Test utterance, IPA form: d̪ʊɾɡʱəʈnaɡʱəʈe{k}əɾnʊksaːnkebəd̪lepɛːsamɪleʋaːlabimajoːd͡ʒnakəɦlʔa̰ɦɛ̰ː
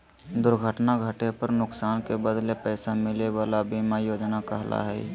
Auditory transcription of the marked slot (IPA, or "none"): p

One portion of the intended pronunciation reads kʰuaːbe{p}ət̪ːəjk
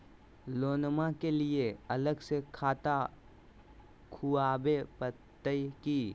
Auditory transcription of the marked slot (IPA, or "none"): p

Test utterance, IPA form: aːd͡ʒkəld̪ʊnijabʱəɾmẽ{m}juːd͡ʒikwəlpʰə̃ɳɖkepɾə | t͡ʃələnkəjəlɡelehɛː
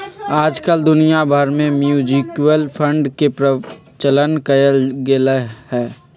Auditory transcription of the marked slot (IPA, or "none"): m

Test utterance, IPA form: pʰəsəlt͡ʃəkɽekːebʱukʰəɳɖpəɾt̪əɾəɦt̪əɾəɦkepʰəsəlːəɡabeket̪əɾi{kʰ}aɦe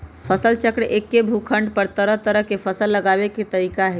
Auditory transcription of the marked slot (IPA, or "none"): k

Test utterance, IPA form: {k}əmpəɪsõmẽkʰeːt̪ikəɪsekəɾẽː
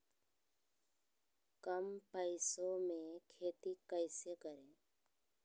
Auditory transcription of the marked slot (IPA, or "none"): k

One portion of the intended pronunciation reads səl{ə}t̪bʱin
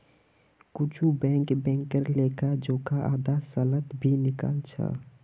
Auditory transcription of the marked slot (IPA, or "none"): ə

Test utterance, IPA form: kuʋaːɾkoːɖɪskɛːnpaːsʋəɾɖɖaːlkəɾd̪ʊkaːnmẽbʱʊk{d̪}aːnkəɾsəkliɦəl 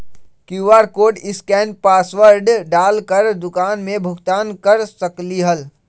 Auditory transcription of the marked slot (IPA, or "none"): t̪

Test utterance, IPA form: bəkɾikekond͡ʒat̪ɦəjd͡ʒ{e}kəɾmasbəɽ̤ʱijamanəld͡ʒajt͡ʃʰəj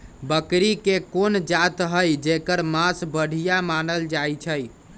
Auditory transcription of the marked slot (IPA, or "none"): e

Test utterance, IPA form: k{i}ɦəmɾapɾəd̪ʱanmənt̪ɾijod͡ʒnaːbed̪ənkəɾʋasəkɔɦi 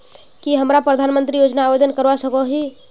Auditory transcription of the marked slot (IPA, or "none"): i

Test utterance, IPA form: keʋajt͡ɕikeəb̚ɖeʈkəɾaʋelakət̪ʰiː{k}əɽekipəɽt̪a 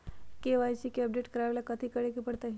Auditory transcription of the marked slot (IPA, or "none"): k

